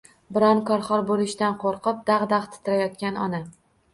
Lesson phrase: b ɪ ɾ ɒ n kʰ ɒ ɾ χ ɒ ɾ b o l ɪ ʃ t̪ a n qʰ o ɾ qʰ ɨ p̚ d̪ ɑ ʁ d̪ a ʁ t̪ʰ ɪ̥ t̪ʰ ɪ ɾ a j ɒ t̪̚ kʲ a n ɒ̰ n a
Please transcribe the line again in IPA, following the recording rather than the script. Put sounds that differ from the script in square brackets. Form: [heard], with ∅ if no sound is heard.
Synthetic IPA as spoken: b ɪ ɾ ɒ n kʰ ɒ ɾ χ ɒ ɾ b o l ɪ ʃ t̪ a n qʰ o ɾ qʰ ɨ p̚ d̪ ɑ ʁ d̪ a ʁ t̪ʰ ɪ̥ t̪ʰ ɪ ɾ a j ɒ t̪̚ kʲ a n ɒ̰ n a